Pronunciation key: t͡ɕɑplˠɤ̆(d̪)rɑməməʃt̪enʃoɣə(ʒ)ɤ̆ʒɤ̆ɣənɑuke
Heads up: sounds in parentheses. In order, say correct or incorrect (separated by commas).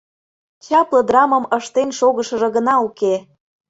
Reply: correct, incorrect